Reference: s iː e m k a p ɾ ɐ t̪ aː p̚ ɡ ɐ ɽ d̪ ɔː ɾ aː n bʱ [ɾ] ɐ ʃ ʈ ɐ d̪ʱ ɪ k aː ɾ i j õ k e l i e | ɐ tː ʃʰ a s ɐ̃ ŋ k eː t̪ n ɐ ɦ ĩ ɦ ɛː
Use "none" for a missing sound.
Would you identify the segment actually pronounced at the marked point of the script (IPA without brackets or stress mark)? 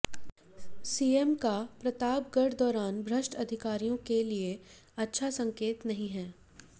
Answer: ɾ